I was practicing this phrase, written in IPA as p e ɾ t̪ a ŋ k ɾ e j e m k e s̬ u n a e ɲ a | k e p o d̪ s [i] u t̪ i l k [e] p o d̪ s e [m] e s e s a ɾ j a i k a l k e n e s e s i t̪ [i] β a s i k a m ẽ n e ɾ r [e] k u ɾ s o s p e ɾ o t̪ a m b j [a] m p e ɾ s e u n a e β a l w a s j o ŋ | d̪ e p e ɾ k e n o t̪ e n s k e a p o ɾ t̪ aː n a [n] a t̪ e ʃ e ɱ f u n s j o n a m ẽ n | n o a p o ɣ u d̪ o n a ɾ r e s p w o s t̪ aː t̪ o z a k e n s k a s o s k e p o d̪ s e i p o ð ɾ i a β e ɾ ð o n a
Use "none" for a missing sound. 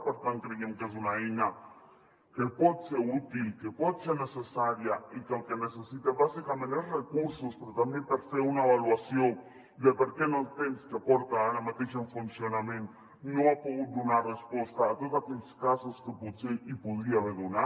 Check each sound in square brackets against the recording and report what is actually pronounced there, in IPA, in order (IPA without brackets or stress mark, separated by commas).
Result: e, e, n, e, e, e, m